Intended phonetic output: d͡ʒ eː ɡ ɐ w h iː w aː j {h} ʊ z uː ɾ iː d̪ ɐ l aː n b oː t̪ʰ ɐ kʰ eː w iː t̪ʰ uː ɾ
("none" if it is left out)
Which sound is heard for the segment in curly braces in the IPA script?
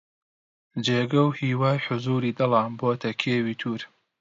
ħ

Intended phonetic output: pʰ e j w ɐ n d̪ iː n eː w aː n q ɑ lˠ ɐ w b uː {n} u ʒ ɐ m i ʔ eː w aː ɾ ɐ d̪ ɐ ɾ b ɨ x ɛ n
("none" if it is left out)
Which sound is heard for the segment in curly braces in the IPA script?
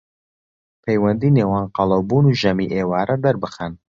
n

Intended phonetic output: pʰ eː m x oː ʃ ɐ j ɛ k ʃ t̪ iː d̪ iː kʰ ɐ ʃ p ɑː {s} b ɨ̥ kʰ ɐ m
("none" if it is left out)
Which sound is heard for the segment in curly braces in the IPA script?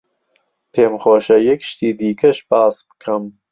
s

